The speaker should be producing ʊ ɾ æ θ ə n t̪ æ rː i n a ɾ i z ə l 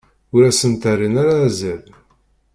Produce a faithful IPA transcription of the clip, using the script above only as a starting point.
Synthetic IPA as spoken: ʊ ɾ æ s ə n t̪ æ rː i n a ɾ a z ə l